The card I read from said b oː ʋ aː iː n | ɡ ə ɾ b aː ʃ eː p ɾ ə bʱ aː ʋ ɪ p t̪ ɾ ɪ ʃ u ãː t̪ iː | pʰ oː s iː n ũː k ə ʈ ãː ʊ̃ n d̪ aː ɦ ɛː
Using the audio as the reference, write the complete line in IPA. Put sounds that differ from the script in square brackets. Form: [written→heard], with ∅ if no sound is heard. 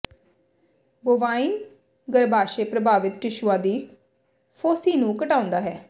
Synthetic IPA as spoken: b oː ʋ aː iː n | ɡ ə ɾ b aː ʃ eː p ɾ ə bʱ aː ʋ ɪ [p→∅] t̪ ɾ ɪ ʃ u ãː [t̪→d̪] iː | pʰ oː s iː n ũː k ə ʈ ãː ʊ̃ n d̪ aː ɦ ɛː